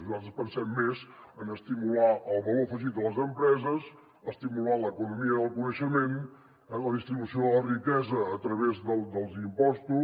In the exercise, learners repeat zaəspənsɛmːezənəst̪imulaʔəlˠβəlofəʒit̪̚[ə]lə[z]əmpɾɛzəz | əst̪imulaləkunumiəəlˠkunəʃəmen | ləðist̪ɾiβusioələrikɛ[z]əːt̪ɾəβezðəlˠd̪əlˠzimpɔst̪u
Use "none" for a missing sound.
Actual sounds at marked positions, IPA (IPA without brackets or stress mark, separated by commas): ə, z, z